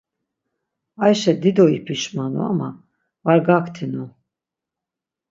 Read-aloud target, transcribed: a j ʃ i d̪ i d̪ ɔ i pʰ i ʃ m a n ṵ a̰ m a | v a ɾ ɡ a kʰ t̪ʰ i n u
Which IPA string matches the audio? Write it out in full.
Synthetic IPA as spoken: a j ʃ ɛ d̪ i d̪ ɔ i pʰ i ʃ m a n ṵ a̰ m a | v a ɾ ɡ a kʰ t̪ʰ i n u